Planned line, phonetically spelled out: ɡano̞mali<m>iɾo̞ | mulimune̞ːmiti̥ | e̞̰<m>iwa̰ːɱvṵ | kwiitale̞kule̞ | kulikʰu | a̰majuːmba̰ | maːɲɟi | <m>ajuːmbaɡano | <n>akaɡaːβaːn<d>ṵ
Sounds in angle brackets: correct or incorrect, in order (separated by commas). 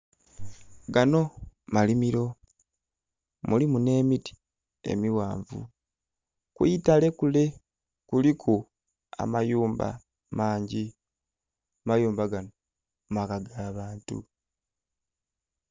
correct, correct, correct, incorrect, incorrect